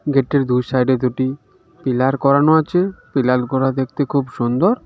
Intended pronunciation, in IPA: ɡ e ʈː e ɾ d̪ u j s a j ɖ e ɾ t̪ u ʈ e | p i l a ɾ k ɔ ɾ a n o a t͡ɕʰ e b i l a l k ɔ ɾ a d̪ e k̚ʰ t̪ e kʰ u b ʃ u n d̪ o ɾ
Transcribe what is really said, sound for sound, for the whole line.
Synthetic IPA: ɡ e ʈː e ɾ d̪ u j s a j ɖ e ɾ d̪ u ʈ i | p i l a ɾ k ɔ ɾ a n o a t͡ɕʰ e p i l a l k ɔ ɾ a d̪ e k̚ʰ t̪ e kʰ u b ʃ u n d̪ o ɾ

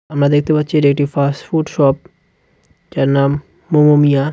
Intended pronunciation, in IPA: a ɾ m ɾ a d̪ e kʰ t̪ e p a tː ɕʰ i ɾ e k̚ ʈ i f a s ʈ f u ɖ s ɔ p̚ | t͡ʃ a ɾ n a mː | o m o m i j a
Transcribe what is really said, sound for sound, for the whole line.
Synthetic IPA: a m ɾ a d̪ e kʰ t̪ e p a tː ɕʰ i ɾ e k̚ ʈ i f a s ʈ f u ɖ ʃ ɔ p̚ | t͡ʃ a ɾ n a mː | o m o m i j a

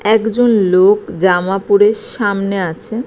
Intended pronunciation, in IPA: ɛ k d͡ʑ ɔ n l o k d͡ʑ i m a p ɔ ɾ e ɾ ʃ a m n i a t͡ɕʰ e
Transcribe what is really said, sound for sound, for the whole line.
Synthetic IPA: ɛ k d͡ʑ o n l o k d͡ʑ a m a p u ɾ e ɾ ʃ a m n e a t͡ɕʰ e

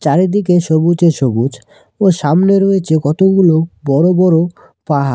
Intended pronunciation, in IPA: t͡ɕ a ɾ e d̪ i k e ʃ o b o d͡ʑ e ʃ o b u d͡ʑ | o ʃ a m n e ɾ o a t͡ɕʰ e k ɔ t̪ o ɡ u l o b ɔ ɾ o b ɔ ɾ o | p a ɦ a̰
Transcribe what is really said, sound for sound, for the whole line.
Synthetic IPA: t͡ɕ a ɾ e d̪ i k e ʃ o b u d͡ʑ e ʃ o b u d͡ʑ | o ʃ a m n e ɾ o e t͡ɕʰ e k ɔ t̪ o ɡ u l o b ɔ ɾ o b ɔ ɾ o | p a ɦ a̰

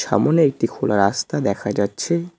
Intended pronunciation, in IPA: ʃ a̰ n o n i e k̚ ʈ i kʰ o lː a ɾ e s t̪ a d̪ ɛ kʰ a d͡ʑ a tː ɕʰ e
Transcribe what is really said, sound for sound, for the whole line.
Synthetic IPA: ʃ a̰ m o n e e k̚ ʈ i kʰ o l a ɾ a s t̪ a d̪ ɛ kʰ a d͡ʑ a tː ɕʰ e

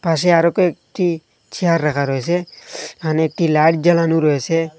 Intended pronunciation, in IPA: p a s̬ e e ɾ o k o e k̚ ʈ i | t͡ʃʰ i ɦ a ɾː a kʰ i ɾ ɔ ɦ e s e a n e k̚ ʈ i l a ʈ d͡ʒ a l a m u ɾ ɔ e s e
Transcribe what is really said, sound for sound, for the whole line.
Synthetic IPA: p a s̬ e a ɾ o k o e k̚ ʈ i | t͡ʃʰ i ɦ a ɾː a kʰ a ɾ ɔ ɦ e s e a n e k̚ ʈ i l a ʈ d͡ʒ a l a n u ɾ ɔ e s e

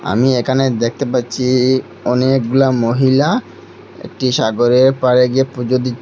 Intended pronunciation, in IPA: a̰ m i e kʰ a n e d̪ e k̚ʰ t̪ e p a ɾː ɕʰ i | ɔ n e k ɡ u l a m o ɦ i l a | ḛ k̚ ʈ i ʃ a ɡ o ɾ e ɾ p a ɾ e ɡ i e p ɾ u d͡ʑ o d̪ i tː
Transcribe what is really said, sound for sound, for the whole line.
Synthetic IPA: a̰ m i e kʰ a n e d̪ e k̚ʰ t̪ e p a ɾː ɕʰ i | ɔ n e k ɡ u l a m o ɦ i l a | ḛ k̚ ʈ i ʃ a ɡ o ɾ e ɾ p a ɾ e ɡ i e p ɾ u d͡ʑ o d̪ i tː

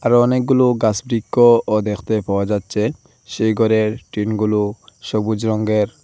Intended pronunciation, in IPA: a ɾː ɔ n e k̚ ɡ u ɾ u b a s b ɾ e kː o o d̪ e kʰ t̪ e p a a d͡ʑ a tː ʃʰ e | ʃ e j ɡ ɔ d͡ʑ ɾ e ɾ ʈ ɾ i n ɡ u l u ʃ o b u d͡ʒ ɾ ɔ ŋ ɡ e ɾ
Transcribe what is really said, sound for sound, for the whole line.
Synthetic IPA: a ɾ ɔ n e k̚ ɡ u l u ɡ a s b ɾ i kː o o d̪ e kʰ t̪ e p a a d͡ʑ a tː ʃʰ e | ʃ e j ɡ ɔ ɾ e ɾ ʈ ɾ i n ɡ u l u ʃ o b u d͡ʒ ɾ ɔ ŋ ɡ e ɾ

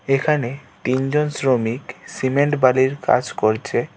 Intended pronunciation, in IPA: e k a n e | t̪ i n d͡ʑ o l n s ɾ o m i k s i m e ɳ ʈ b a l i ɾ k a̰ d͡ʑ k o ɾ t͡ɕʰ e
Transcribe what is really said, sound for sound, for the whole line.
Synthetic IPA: e kʰ a n e | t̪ i n d͡ʑ o n s ɾ o m i k s i m e ɳ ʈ b a l i ɾ k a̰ d͡ʑ k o ɾ t͡ɕʰ e

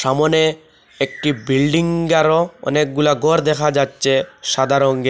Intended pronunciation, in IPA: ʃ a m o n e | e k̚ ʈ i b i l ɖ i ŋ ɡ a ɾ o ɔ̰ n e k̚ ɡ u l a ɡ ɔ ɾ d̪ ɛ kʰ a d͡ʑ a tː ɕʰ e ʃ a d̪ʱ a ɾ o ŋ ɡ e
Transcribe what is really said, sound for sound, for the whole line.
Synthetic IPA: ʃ a m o n e | e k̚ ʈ i b i l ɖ i ŋ ɡ a ɾ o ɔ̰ n e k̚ ɡ u l a ɡ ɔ ɾ d̪ ɛ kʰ a d͡ʑ a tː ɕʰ e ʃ a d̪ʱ a ɾ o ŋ ɡ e

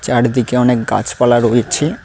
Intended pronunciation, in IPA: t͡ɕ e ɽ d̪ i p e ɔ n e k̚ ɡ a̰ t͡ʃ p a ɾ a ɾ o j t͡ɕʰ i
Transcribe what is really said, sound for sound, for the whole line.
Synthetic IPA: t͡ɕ a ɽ d̪ i k e ɔ n e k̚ ɡ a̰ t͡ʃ p a l a ɾ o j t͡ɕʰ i

